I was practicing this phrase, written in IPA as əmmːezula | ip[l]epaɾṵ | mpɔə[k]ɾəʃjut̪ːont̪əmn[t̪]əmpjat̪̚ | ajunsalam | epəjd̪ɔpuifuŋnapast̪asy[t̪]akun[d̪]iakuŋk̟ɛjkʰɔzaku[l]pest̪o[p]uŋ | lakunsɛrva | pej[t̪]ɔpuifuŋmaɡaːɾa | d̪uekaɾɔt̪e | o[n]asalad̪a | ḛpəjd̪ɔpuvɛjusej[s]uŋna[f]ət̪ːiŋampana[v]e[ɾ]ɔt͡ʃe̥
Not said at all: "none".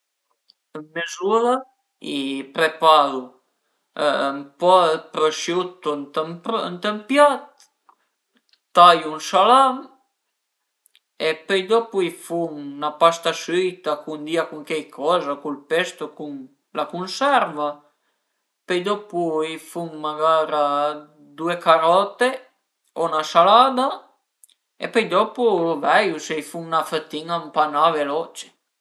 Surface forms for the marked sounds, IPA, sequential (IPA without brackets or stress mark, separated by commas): ɾ, p, t̪, t̪, d̪, l, k, d̪, n, f, f, v, l